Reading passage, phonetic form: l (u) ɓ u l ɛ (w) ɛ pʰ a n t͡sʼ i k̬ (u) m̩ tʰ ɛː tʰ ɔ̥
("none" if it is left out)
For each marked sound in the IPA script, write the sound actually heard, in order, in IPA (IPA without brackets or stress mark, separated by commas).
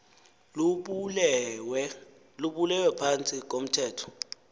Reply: u, w, o